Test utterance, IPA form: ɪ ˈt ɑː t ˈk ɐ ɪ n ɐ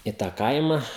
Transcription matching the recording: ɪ ˈt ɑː ˈk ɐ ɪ m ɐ